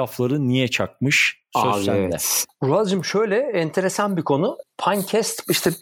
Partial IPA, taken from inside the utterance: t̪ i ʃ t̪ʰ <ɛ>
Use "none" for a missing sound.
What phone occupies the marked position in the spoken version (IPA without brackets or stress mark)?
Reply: ɛ